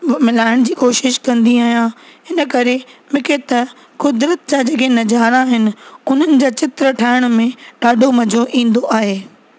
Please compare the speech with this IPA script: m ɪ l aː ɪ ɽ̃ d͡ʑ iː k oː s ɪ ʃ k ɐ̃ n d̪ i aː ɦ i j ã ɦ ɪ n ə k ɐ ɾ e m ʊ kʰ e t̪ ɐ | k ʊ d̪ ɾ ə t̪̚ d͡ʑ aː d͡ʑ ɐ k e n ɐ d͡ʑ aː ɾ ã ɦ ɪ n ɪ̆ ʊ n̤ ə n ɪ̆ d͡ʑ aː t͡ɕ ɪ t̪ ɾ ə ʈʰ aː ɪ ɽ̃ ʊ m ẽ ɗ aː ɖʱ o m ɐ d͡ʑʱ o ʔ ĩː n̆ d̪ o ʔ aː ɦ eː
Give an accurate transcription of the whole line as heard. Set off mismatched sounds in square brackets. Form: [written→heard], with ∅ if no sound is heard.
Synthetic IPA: m ɪ l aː ɪ ɽ̃ d͡ʑ iː k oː [s→ʃ] ɪ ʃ k ɐ̃ n d̪ i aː ɦ i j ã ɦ ɪ n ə k ɐ ɾ e m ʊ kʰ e t̪ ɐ | k ʊ d̪ ɾ ə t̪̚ d͡ʑ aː d͡ʑ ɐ k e n ɐ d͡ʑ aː ɾ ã ɦ ɪ n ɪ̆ ʊ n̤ ə n ɪ̆ d͡ʑ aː t͡ɕ ɪ t̪ ɾ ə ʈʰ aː ɪ ɽ̃ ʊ m ẽ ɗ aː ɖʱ o m ɐ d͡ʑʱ o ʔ ĩː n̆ d̪ o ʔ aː ɦ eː